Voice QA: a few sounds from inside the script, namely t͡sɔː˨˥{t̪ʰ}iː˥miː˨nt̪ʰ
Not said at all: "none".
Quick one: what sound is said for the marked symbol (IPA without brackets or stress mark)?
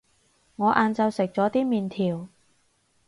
t̪